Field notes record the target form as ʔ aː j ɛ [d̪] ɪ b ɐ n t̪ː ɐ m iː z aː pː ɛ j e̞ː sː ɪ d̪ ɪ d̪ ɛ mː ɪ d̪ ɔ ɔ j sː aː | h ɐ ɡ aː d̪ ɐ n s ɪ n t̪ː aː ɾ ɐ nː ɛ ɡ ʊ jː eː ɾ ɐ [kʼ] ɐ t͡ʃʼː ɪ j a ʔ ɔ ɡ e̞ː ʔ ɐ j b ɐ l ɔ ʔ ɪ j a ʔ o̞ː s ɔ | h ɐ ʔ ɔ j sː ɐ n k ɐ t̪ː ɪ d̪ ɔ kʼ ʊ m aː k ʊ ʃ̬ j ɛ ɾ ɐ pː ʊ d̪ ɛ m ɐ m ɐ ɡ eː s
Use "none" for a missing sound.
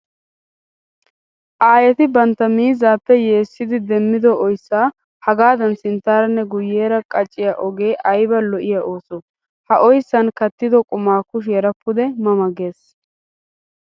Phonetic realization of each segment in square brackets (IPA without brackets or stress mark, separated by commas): t̪, kʼ